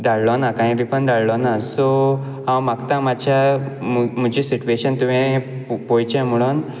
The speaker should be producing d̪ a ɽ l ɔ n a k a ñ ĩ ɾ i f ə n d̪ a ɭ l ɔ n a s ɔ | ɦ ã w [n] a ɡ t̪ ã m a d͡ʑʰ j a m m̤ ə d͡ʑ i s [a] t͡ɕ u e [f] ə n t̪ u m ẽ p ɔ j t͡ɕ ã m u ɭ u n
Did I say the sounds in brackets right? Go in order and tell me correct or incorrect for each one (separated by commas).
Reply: incorrect, incorrect, incorrect